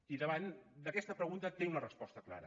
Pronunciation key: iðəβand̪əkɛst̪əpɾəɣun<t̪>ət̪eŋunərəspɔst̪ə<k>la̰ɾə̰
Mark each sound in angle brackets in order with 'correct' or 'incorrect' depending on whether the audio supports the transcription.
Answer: correct, correct

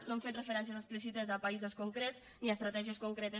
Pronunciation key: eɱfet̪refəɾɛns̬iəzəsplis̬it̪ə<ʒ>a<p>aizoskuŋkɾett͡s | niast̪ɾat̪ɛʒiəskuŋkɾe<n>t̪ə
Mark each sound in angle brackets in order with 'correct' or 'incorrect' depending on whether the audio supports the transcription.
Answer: incorrect, correct, incorrect

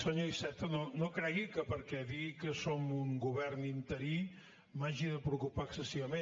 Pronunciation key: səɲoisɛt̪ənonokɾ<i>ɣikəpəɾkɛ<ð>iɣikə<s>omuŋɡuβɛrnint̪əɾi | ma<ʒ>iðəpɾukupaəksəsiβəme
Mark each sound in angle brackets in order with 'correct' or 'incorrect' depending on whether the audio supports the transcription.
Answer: incorrect, correct, correct, correct

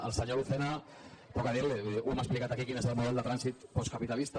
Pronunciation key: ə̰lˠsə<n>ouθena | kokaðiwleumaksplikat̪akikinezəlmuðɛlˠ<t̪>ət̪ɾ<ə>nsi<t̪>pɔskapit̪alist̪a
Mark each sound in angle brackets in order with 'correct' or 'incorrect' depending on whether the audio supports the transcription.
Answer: incorrect, incorrect, incorrect, correct

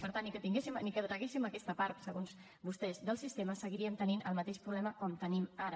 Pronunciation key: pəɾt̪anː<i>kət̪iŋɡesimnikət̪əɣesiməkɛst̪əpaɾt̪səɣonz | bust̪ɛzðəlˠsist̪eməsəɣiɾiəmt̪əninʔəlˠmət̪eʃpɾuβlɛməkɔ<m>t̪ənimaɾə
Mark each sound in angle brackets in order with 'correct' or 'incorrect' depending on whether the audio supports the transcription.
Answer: correct, correct

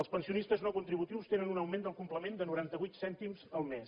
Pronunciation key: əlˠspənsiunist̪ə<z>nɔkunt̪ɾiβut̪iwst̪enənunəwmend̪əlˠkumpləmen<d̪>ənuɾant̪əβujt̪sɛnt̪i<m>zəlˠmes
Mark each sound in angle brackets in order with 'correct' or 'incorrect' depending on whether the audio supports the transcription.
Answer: correct, correct, correct

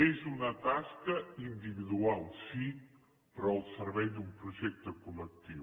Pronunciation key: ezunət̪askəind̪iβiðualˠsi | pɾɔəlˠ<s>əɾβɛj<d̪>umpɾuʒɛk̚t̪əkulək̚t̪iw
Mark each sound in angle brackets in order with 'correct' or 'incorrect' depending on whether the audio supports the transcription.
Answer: correct, correct

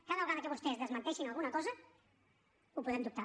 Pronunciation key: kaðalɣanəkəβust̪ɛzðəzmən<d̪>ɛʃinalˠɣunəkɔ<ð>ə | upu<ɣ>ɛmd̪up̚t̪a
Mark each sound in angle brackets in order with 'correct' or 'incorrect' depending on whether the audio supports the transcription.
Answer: incorrect, incorrect, incorrect

